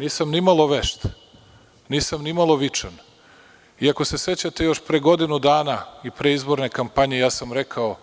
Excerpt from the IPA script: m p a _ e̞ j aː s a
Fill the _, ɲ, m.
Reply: ɲ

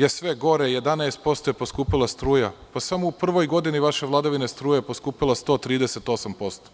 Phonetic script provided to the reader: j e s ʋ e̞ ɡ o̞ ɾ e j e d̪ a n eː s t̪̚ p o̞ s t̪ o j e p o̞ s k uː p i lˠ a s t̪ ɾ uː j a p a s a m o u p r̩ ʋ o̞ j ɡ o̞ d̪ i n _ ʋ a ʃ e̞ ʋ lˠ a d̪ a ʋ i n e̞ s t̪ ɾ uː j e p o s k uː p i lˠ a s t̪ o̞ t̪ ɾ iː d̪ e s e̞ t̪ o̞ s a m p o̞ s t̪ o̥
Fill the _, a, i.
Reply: i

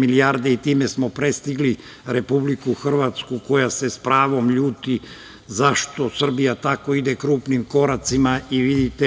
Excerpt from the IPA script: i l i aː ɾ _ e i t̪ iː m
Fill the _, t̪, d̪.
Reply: d̪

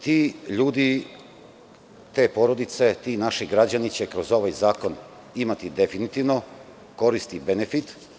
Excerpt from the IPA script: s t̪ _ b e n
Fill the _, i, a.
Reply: i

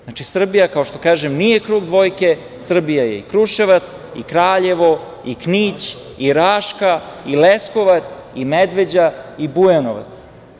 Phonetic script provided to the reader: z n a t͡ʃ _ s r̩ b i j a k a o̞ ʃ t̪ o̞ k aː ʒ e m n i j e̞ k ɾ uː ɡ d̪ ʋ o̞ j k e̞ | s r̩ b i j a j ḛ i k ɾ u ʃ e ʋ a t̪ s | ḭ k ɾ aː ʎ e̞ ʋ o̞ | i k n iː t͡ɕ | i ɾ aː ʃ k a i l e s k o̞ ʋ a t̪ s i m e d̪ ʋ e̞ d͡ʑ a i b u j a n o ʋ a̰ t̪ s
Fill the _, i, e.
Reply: i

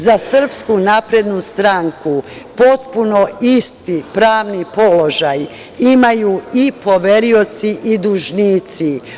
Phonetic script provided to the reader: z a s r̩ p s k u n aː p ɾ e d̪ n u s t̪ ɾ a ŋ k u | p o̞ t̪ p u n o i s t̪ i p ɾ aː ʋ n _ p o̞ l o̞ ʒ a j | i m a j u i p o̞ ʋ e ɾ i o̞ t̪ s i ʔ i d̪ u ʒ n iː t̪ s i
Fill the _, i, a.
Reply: i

